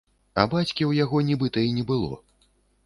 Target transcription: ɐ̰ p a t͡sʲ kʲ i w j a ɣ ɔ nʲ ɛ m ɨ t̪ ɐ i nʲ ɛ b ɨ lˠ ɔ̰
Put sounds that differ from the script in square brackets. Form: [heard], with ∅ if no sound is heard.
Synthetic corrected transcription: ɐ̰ [b] a t͡sʲ kʲ i w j a ɣ ɔ nʲ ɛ [b] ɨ t̪ ɐ i nʲ ɛ b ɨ lˠ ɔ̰